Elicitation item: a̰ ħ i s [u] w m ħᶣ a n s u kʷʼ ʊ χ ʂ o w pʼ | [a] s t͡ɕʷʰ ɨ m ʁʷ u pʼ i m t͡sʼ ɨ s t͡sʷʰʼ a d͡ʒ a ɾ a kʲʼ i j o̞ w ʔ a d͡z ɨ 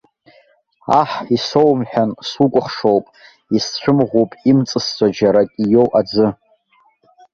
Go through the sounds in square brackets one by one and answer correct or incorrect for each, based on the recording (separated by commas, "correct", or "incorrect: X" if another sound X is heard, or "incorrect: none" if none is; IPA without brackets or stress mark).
incorrect: o, incorrect: i